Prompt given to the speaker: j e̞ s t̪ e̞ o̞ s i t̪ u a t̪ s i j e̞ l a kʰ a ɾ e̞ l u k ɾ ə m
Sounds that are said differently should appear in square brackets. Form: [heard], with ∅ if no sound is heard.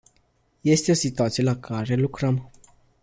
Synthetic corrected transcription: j e̞ s t̪ e̞ o̞ s i t̪ u a t̪ s i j e̞ l a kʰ a ɾ e̞ l u k ɾ ə m